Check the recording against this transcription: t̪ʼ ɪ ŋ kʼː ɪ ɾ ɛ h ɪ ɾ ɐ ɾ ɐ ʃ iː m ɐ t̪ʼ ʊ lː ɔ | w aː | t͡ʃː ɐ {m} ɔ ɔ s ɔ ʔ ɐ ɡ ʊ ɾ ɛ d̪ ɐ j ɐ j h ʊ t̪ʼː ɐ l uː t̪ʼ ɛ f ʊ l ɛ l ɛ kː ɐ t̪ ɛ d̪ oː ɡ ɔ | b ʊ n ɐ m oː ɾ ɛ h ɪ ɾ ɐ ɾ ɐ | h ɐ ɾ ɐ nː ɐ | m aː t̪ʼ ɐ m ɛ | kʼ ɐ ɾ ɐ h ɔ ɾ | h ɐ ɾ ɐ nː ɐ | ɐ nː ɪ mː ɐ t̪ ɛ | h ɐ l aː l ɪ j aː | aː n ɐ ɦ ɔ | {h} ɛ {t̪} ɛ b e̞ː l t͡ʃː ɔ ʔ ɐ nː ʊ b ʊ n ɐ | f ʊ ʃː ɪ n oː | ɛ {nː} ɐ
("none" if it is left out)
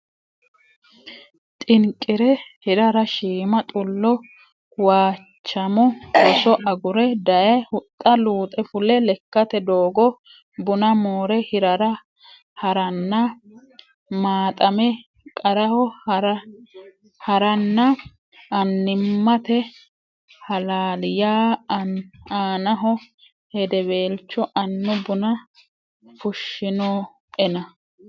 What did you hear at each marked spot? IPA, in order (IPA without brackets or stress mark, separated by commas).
m, h, d̪, n